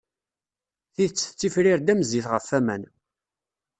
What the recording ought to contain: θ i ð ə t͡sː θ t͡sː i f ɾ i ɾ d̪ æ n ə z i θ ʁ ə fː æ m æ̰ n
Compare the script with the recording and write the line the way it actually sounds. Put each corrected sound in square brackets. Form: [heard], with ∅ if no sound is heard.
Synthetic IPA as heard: θ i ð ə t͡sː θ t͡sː i f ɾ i ɾ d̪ æ [m] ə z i θ ʁ ə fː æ m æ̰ n